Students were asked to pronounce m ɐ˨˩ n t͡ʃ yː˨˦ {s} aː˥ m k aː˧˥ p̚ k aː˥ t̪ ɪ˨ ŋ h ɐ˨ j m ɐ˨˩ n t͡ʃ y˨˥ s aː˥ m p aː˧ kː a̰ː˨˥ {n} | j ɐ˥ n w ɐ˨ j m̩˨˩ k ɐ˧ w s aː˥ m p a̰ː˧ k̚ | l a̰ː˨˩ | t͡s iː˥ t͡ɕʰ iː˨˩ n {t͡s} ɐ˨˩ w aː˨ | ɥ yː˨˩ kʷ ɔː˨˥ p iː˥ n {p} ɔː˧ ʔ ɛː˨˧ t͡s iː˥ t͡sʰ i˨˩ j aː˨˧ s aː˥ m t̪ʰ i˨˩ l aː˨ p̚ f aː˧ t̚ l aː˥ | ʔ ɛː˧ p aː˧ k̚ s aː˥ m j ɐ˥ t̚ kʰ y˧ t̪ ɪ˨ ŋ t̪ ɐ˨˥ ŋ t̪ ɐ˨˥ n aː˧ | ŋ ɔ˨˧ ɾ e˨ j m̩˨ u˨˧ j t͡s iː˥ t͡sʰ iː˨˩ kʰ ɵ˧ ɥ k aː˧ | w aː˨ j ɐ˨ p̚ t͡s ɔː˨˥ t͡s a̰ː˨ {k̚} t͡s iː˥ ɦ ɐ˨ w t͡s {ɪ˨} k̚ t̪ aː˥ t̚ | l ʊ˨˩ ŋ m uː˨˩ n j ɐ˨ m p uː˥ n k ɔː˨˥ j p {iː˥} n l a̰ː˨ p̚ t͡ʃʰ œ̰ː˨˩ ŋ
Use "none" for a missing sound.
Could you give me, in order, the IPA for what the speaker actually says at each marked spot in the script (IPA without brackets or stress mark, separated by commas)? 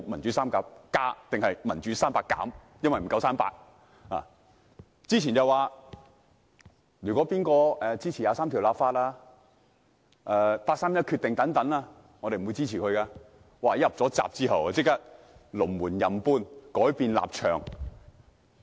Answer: s, m, t͡s, k, p̚, ɪ˥, iː˧